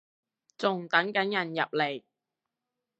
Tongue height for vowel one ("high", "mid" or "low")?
high